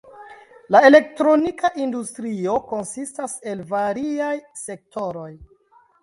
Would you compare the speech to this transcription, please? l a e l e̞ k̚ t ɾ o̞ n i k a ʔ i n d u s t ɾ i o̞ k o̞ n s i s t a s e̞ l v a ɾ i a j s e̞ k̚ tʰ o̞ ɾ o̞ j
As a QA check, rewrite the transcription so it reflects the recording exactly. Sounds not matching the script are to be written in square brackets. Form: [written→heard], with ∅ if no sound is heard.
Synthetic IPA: l a e l e̞ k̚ t ɾ o̞ n i k a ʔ i n d u s t ɾ i o̞ k o̞ n s i s t a s e̞ l v a ɾ i a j s e̞ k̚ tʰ o̞ ɾ o̞ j